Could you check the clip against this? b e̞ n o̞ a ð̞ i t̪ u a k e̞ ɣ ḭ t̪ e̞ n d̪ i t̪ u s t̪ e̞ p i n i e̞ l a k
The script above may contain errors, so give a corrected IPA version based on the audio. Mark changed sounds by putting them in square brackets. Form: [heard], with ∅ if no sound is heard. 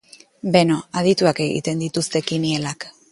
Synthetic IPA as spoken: b e̞ n o̞ a ð̞ i t̪ u a k e̞ ɣ ḭ t̪ e̞ n d̪ i t̪ u s t̪ e̞ [k] i n i e̞ l a k